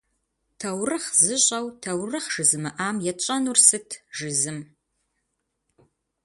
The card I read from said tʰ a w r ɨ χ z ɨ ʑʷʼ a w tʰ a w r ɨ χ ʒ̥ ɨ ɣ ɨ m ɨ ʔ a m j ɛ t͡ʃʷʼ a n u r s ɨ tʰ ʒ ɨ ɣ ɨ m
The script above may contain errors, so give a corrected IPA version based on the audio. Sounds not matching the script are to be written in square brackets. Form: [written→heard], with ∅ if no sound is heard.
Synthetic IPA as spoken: tʰ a w r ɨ χ z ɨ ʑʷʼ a w tʰ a w r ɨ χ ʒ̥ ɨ [ɣ→z] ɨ m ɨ ʔ a m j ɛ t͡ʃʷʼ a n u r s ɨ tʰ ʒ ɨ [ɣ→z] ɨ m